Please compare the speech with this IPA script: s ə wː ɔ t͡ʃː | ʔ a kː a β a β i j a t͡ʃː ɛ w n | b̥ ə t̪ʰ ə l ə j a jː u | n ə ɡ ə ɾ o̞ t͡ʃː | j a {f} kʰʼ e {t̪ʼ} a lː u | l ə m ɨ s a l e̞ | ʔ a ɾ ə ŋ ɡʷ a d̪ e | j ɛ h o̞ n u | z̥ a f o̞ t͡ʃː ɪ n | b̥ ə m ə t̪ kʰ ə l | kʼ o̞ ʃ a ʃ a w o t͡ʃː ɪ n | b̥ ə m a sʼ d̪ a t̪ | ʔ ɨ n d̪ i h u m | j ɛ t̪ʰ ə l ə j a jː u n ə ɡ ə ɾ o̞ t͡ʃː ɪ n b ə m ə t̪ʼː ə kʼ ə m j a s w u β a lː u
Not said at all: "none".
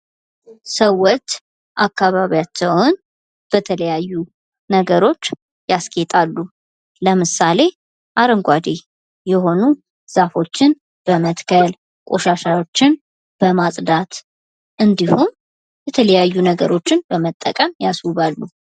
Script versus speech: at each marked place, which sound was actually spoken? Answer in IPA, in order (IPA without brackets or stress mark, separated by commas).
s, t̪ʼ